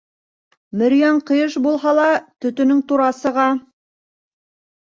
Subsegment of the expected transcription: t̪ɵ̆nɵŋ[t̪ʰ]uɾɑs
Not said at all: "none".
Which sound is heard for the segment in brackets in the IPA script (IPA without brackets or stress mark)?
t̪